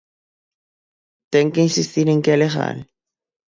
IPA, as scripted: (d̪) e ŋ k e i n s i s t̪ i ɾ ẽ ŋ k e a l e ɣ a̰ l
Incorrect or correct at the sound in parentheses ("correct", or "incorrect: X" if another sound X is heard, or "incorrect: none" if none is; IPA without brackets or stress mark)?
incorrect: t̪